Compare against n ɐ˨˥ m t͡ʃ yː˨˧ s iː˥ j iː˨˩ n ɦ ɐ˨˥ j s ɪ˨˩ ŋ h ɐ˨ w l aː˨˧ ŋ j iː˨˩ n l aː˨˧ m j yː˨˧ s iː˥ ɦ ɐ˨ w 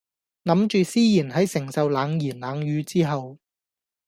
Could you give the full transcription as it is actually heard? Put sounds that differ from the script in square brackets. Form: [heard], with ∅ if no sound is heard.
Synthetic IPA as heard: n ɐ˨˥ m t͡ʃ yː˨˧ s iː˥ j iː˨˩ n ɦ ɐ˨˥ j s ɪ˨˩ ŋ [s] ɐ˨ w l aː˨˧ ŋ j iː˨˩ n l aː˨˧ [ŋ] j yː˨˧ [t͡s] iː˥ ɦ ɐ˨ w